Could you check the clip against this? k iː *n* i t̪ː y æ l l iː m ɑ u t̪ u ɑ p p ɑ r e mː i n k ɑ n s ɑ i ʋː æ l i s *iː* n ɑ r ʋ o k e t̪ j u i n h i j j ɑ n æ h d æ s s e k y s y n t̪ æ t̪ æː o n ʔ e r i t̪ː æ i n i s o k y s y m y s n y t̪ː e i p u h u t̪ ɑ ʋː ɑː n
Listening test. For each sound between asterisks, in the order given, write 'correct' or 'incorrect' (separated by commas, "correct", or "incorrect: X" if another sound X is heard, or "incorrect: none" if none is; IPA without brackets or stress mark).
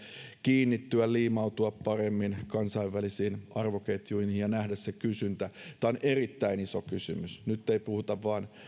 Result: incorrect: nː, correct